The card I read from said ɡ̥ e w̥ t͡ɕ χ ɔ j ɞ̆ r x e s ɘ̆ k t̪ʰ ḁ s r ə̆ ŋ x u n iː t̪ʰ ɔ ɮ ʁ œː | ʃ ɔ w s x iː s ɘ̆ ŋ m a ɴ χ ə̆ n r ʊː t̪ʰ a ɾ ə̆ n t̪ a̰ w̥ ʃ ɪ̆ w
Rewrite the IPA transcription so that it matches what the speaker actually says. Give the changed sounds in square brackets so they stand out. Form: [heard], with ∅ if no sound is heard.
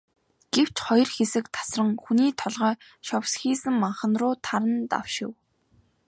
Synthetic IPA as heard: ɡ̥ e w̥ t͡ɕ χ ɔ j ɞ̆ r x e s ɘ̆ k t̪ʰ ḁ s r ə̆ ŋ x u n iː t̪ʰ ɔ ɮ ʁ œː | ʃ ɔ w s x iː s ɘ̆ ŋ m a ɴ χ ə̆ n r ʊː t̪ʰ a ɾ ə̆ n t̪ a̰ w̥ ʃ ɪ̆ w